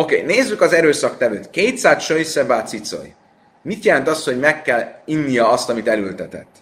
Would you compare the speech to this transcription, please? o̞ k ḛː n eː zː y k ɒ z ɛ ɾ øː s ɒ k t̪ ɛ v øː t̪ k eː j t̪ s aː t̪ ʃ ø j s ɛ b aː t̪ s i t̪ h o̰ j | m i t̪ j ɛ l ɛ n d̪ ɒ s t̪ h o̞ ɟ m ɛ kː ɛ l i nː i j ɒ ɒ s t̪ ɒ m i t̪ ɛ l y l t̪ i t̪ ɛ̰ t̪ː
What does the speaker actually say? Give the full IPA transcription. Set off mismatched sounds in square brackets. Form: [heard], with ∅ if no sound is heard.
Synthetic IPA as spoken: o̞ k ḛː n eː zː y k ɒ z ɛ ɾ øː s ɒ k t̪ ɛ v øː t̪ k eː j t̪ s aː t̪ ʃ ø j s ɛ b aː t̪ s i t̪ [s] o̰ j | m i t̪ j ɛ l ɛ n [t̪] ɒ s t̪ h o̞ ɟ m ɛ kː ɛ l i nː i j ɒ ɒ s t̪ ɒ m i t̪ ɛ l y l t̪ [ɛ] t̪ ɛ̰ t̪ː